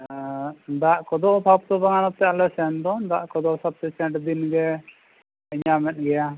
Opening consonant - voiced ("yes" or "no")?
yes